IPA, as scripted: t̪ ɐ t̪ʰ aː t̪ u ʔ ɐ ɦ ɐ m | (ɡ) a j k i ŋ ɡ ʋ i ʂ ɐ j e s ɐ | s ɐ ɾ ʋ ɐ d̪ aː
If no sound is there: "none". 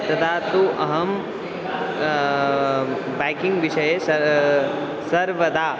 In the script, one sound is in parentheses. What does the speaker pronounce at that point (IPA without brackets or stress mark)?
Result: b